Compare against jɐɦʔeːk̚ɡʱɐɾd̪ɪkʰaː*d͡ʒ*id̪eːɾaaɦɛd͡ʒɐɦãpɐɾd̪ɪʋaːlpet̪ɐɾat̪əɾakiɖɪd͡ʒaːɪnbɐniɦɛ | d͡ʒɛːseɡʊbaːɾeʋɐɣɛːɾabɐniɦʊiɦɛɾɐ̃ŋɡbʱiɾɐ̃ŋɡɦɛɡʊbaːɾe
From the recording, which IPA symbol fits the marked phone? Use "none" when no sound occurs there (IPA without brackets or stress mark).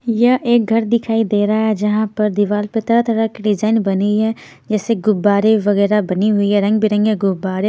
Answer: none